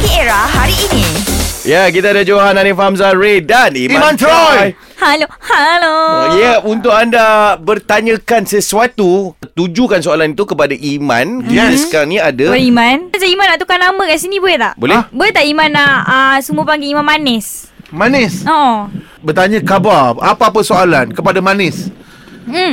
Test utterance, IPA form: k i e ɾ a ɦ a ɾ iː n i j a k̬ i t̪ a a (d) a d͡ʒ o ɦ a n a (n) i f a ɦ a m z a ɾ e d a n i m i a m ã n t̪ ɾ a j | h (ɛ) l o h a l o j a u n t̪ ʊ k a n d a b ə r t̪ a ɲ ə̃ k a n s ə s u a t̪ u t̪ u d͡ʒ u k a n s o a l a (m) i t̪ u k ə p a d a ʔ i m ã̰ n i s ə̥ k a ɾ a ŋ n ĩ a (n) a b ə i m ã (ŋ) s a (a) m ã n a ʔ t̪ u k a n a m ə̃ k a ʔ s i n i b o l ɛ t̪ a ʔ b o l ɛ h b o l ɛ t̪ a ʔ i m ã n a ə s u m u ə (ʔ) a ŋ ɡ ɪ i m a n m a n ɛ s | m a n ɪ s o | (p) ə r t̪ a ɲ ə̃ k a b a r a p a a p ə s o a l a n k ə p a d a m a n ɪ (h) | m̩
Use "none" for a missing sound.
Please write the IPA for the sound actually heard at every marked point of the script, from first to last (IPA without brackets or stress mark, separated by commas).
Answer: d, n, a, n, d, n, i, p, b, s